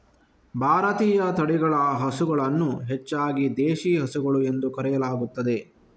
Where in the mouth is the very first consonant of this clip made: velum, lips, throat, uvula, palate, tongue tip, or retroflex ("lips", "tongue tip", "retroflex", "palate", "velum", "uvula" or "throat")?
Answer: lips